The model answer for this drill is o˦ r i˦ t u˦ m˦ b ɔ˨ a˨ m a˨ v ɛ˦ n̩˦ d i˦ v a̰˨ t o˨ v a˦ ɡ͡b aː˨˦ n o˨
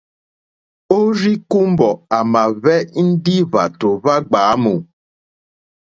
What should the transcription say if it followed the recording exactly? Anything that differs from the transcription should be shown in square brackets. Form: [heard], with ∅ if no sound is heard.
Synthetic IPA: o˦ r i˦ [k] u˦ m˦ b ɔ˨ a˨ m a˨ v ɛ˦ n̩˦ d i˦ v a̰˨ t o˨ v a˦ ɡ͡b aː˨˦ [m] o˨